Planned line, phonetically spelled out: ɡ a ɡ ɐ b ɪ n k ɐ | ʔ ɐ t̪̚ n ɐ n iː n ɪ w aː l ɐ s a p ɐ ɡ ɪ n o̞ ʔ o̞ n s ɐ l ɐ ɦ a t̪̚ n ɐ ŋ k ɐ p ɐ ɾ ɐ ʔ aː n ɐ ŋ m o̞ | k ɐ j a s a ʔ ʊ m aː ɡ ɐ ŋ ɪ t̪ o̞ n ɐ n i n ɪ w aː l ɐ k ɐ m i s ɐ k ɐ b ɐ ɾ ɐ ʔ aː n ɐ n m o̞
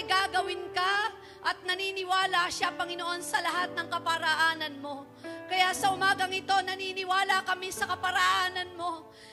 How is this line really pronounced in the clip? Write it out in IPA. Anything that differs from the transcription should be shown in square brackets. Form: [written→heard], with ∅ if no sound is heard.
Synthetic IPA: ɡ a ɡ ɐ [b→w] ɪ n k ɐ | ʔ ɐ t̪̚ n ɐ n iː n ɪ w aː l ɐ [s→ʃ] a p ɐ [ɡ→ŋ] ɪ n o̞ ʔ o̞ n s ɐ l ɐ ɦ a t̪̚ n ɐ ŋ k ɐ p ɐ ɾ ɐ ʔ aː n ɐ [ŋ→n] m o̞ | k ɐ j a s [a→ɐ] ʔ ʊ m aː ɡ ɐ ŋ ɪ t̪ o̞ n ɐ n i n ɪ w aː l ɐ k ɐ m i s ɐ k ɐ [b→p] ɐ ɾ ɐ ʔ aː n ɐ n m o̞